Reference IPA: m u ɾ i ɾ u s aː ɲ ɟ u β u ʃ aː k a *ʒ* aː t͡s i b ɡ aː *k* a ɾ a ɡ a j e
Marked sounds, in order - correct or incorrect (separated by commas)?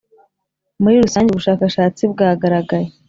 incorrect, incorrect